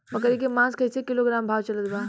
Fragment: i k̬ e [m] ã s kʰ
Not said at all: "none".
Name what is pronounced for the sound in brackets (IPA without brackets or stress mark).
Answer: m